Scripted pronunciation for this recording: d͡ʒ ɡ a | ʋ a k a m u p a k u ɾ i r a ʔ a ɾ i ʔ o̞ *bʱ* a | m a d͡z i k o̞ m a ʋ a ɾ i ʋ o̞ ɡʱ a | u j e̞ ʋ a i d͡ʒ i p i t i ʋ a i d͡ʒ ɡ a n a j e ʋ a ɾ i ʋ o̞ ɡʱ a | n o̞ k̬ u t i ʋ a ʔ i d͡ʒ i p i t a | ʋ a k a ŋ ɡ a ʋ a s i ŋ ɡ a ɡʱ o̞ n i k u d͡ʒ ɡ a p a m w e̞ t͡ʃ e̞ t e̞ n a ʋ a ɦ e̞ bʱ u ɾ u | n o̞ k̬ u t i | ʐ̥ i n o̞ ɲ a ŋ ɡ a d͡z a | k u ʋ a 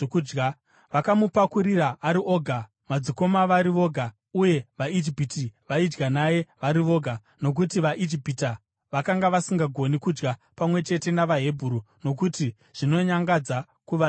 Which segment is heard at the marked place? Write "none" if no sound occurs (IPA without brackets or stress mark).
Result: ɡʱ